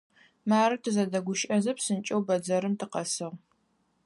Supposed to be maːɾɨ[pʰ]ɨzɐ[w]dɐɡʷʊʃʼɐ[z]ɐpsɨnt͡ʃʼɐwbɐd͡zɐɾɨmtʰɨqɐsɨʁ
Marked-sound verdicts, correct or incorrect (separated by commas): incorrect, incorrect, correct